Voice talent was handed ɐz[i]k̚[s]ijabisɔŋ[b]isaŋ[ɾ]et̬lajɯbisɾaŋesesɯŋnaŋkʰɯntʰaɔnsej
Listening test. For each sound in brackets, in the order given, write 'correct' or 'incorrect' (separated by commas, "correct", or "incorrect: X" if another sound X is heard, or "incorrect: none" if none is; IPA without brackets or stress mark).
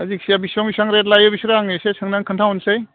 correct, correct, correct, correct